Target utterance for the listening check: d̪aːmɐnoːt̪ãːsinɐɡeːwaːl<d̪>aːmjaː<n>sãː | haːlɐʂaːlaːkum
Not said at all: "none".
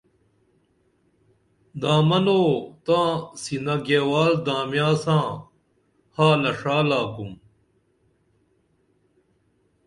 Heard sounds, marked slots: d̪, none

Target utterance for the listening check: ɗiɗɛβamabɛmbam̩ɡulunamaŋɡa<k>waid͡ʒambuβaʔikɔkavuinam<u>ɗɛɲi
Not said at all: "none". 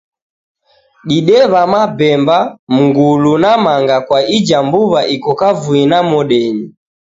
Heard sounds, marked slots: k, ɔ

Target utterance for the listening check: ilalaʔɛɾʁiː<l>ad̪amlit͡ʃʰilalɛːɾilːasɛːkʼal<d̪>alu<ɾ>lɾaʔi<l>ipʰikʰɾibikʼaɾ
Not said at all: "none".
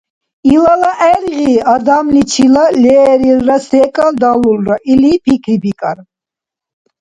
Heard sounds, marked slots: none, d̪, none, l

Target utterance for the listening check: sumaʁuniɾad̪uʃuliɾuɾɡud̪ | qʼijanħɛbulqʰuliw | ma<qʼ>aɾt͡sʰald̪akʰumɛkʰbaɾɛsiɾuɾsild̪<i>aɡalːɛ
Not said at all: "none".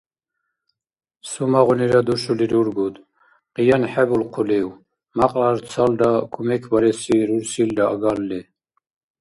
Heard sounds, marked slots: qʼ, a

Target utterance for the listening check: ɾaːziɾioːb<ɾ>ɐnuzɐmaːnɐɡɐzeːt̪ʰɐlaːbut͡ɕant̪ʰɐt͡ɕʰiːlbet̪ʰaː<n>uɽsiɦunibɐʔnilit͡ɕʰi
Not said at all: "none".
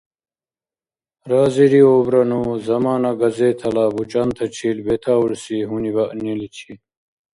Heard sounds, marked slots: ɾ, none

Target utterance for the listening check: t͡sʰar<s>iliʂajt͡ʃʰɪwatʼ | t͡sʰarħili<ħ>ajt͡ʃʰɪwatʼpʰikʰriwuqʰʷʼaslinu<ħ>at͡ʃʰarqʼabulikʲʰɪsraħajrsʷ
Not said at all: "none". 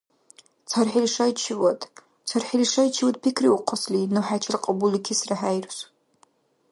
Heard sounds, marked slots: ħ, ʂ, ħ

